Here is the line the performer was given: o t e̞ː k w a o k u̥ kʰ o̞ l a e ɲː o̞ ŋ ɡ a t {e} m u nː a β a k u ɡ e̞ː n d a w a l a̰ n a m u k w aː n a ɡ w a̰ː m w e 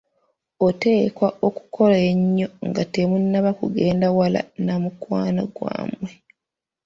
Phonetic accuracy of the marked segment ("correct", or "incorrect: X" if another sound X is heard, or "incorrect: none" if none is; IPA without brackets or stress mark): correct